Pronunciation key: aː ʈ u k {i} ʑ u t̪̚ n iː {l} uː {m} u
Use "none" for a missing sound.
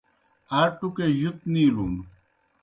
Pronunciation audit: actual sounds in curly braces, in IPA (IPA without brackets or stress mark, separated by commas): e, l, n